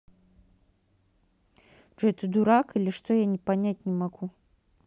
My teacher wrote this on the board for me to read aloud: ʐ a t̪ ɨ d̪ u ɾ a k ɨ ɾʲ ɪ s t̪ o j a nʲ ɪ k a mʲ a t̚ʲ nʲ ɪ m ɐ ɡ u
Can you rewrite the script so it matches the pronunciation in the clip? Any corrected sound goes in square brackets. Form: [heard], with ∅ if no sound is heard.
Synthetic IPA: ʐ [ɛ] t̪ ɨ d̪ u ɾ a k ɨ [lʲ] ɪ [ʂ] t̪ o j a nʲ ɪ [p] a [nʲ] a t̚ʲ nʲ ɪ m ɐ ɡ u